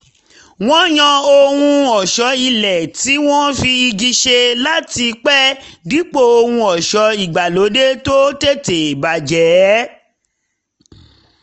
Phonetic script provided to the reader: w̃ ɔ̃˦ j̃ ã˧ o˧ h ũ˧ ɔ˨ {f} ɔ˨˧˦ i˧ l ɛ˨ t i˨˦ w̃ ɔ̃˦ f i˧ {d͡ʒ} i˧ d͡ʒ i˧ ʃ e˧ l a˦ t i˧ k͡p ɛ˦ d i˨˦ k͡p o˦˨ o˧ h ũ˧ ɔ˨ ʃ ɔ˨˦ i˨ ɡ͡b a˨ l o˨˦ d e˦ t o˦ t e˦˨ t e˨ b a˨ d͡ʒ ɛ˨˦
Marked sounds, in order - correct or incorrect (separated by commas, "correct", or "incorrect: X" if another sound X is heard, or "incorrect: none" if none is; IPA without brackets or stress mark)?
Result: incorrect: ʃ, incorrect: none